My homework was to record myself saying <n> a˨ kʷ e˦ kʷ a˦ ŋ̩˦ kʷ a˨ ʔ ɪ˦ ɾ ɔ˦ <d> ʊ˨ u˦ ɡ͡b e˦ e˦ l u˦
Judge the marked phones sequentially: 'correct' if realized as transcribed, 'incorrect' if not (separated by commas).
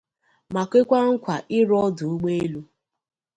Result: incorrect, correct